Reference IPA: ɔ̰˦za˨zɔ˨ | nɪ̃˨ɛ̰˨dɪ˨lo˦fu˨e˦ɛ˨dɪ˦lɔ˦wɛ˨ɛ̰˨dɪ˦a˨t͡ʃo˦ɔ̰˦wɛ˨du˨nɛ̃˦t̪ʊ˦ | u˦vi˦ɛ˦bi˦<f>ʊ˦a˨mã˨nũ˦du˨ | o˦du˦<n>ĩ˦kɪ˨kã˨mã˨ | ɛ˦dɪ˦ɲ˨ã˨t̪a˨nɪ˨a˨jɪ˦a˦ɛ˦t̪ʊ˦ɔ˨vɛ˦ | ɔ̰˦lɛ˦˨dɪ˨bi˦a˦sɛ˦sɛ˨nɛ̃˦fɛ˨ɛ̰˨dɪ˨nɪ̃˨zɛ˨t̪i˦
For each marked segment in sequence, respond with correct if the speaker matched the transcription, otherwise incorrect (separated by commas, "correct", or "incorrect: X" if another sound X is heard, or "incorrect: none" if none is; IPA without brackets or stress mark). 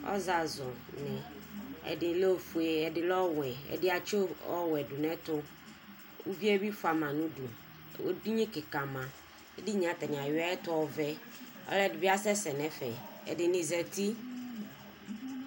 correct, incorrect: ɲ